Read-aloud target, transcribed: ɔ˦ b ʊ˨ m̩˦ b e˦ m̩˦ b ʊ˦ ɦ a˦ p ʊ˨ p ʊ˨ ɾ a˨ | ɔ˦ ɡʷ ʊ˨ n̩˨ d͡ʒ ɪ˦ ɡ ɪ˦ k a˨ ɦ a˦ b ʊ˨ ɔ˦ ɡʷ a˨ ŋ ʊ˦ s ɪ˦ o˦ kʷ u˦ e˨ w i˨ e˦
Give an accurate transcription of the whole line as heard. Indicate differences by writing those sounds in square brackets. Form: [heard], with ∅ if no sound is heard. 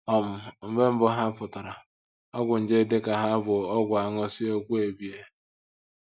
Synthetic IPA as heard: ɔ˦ [m] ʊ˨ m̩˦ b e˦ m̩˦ b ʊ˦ ɦ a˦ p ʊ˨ [t] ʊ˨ ɾ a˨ | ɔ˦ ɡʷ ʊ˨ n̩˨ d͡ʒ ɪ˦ [d] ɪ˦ k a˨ ɦ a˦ b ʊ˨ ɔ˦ ɡʷ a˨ ŋ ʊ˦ s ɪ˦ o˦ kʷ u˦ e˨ [b] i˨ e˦